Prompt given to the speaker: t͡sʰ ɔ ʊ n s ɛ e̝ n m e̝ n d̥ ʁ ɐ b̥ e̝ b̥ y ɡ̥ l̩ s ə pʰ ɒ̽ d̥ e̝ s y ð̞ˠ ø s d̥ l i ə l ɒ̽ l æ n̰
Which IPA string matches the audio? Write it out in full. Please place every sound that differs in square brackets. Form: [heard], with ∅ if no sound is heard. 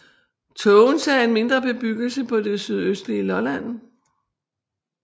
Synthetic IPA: t͡sʰ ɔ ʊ n s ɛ e̝ n m e̝ n d̥ ʁ ɐ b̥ e̝ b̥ y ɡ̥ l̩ s ə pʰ ɒ̽ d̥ e̝ s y ð̞ˠ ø s d̥ l i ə l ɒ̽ l æ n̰